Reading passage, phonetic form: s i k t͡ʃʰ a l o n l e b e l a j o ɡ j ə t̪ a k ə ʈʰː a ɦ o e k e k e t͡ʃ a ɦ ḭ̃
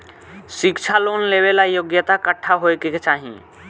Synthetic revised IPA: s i k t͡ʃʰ a l o n l e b e l a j o ɡ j ə t̪ a k ə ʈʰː a ɦ o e k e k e t͡ʃ a ɦ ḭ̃